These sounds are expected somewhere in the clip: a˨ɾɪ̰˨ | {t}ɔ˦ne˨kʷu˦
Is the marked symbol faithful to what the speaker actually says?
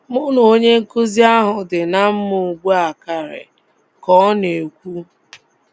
no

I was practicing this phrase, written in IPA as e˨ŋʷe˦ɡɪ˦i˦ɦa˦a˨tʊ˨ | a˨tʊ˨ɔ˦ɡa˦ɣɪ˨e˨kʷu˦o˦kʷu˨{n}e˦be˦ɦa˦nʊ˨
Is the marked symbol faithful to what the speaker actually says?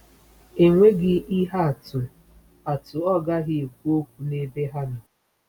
yes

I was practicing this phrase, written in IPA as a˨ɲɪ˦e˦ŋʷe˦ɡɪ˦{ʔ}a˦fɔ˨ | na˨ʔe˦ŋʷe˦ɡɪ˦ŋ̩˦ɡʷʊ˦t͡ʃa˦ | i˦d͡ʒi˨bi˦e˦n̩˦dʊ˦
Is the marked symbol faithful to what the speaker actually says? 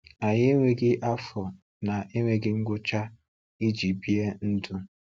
yes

